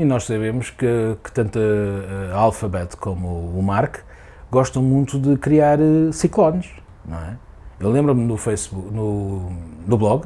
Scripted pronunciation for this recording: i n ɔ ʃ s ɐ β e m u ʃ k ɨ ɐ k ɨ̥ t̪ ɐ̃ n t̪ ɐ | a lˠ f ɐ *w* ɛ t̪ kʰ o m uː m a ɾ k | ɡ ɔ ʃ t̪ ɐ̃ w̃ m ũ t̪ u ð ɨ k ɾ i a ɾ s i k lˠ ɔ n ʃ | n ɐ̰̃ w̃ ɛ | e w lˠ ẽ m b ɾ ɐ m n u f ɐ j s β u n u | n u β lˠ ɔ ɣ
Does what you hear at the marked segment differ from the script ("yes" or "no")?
yes